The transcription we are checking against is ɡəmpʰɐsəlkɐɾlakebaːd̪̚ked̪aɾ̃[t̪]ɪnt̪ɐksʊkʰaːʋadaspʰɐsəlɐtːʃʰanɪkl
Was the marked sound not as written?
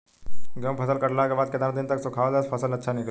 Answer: yes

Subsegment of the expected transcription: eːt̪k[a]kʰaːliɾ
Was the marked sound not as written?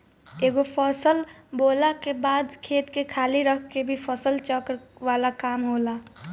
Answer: yes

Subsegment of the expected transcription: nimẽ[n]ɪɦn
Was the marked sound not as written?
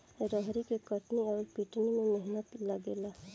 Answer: yes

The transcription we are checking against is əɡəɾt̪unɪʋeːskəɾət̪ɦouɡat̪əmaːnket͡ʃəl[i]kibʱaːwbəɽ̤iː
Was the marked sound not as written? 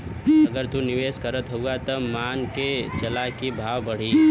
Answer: yes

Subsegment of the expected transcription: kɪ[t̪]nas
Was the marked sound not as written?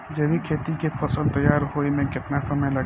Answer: no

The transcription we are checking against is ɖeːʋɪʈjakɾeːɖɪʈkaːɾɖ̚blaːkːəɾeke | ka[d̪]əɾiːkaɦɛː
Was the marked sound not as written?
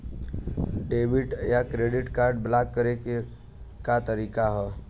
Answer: yes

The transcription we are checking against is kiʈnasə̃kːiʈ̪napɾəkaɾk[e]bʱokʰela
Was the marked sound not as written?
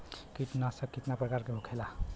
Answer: no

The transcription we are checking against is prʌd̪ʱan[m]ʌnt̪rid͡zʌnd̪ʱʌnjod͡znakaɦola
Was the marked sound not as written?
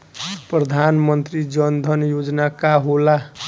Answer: no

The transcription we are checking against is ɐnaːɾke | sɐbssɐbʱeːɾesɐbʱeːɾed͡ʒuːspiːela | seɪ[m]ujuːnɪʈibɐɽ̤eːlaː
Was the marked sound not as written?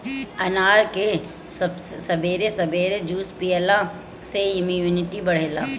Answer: no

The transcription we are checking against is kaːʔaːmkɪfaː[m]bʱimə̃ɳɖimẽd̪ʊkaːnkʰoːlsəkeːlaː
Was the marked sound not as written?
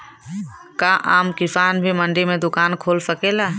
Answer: yes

